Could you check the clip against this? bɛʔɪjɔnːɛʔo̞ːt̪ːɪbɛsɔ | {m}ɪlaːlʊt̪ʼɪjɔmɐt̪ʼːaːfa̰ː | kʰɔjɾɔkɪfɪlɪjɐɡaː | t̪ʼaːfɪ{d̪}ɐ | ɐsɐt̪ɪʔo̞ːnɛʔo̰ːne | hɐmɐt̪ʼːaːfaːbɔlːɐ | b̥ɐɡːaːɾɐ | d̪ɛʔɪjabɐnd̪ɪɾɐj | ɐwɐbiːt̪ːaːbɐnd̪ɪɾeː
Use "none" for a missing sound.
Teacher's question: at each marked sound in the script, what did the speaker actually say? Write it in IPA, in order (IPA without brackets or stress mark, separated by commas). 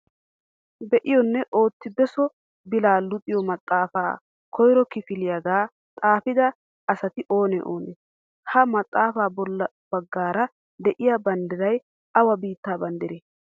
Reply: b, d̪